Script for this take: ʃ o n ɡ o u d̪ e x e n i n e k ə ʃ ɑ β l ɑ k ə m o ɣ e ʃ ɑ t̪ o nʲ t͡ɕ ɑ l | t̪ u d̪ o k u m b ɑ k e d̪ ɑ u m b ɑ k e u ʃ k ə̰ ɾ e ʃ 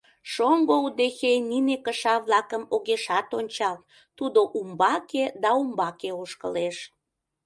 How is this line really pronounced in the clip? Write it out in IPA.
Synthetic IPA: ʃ o ŋ ɡ o u d̪ e x e n i n e k ə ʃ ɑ β l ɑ k ə m o ɣ e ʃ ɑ t̪ o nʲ t͡ɕ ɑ l | t̪ u d̪ o ʔ u m b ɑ k e d̪ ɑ u m b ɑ k e o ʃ k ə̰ l e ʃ